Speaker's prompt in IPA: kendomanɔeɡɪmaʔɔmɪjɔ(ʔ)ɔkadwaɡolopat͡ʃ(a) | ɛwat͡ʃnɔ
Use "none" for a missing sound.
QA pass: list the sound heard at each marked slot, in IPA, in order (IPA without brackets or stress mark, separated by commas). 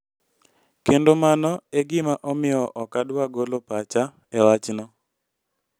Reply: ʔ, a